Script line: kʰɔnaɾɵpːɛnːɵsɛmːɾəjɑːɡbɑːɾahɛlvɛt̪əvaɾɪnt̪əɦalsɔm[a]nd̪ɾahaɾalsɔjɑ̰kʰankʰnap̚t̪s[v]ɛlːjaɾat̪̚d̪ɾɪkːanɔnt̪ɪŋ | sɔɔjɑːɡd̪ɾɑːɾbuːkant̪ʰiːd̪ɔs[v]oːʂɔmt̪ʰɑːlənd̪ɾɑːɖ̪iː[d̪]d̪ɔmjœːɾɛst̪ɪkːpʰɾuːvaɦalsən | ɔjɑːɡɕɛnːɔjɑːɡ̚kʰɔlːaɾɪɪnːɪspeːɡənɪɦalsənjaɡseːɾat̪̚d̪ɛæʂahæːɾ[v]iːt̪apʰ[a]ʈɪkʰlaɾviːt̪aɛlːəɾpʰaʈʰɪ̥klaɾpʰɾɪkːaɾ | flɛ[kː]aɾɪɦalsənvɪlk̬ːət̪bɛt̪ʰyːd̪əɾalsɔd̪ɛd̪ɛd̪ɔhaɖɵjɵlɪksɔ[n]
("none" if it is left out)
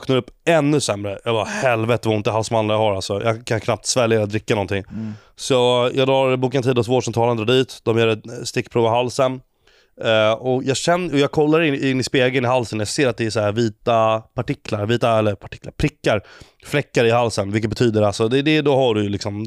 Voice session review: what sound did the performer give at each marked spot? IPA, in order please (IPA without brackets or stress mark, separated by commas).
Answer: a, v, v, t̪, v, a, kː, m